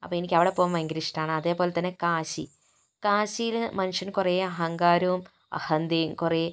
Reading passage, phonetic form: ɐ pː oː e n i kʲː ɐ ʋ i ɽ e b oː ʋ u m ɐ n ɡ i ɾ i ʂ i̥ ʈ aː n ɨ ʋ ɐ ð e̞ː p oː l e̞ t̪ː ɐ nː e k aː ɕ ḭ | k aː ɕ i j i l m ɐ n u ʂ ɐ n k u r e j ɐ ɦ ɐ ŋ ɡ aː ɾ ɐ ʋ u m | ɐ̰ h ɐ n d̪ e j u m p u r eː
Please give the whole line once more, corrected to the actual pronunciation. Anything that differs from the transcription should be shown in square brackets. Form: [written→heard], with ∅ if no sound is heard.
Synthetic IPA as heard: ɐ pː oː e n i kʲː ɐ ʋ i ɽ e [b→p] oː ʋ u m ɐ [n→ŋ] ɡ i ɾ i ʂ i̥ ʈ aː [n→ɳ] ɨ [ʋ→∅] ɐ ð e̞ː p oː l e̞ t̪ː ɐ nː e k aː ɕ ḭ | k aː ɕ i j i l m ɐ n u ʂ ɐ n k u r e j ɐ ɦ ɐ ŋ ɡ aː ɾ ɐ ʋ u m | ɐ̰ h ɐ n d̪ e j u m [p→k] u r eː